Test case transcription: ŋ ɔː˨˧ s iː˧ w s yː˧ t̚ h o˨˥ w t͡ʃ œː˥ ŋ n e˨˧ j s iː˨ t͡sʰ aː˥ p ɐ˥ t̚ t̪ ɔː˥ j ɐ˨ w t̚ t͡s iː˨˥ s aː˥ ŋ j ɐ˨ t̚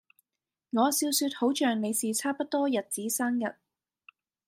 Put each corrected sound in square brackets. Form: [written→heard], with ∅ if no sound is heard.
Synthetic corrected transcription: ŋ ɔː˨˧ s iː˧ w s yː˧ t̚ h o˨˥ w t͡ʃ [œː˥→œː˨] ŋ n e˨˧ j s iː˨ t͡sʰ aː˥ p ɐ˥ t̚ t̪ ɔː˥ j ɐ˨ [w→∅] t̚ t͡s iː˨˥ s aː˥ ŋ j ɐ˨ t̚